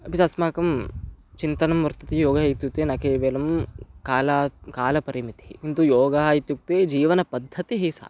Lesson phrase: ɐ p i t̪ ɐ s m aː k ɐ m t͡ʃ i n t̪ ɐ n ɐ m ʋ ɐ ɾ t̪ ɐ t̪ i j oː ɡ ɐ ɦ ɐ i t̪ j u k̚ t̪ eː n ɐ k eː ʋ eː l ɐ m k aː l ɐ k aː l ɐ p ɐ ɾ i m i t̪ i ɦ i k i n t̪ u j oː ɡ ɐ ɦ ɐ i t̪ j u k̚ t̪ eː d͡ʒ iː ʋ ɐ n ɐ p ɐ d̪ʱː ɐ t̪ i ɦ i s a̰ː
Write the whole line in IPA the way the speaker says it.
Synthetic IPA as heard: ɐ p i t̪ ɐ s m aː k ɐ m t͡ʃ i n t̪ ɐ n ɐ m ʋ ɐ ɾ t̪ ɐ t̪ i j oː ɡ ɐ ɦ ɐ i t̪ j u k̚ t̪ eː n ɐ k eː ʋ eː l ɐ m k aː l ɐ k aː l ɐ p ɐ ɾ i m i t̪ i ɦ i k i n t̪ u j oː ɡ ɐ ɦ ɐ i t̪ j u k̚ t̪ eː d͡ʒ iː ʋ ɐ n ɐ p ɐ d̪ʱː ɐ t̪ i ɦ i s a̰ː